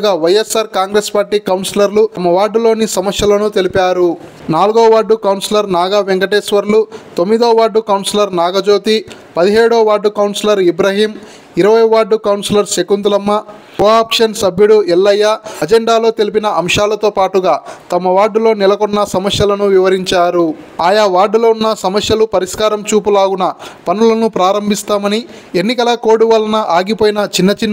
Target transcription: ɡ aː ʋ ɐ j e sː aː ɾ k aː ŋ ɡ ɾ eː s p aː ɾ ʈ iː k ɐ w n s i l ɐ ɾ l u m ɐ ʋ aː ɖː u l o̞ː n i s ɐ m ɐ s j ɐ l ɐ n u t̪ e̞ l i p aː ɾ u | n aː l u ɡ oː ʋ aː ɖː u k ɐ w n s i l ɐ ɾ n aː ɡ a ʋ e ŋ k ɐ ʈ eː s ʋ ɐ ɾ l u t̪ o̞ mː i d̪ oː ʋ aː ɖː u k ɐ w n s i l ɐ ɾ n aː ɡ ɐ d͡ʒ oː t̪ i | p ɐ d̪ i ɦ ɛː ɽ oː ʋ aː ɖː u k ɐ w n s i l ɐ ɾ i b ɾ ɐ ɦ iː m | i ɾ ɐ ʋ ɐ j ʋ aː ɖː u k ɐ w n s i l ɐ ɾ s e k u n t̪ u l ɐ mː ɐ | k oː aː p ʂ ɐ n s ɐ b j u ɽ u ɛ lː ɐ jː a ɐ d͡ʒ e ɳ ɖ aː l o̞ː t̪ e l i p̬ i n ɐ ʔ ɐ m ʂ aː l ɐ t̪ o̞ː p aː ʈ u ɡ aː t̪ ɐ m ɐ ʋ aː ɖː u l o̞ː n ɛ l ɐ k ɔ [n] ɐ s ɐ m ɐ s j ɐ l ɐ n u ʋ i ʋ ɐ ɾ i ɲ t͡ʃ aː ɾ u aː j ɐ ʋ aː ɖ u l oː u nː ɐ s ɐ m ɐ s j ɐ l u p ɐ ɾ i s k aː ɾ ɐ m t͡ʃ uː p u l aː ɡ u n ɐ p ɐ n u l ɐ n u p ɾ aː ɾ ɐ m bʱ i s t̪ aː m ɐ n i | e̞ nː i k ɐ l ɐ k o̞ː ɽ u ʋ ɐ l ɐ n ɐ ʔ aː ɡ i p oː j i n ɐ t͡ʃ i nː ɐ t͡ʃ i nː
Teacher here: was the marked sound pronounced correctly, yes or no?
no